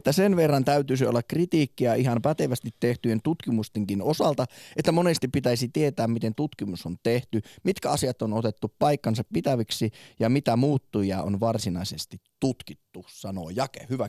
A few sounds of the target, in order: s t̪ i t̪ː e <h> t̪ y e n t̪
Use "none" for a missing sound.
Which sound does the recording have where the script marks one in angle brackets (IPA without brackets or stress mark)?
h